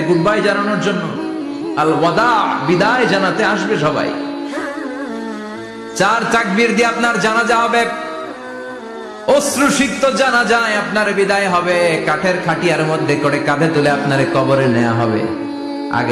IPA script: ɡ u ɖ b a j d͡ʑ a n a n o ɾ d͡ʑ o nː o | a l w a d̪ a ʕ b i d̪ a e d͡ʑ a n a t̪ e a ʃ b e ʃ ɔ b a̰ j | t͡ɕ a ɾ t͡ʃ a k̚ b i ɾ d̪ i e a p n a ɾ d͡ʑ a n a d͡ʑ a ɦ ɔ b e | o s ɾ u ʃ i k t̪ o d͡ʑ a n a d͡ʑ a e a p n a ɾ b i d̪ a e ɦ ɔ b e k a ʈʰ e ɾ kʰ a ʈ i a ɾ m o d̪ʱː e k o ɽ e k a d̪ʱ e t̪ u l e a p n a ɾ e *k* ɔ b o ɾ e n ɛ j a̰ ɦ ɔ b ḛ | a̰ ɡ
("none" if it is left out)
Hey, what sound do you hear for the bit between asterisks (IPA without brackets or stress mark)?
k